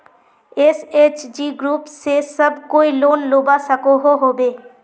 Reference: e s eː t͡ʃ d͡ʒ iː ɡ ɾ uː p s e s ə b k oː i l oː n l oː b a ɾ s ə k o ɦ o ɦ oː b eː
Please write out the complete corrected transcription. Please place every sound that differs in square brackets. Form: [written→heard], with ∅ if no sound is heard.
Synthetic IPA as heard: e s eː t͡ʃ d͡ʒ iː ɡ ɾ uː p s e s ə b k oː i l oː n l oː b a [ɾ→∅] s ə k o ɦ o ɦ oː b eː